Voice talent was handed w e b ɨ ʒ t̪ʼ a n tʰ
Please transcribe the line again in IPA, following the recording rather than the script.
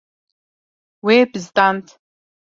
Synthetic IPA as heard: w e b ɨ z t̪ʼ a n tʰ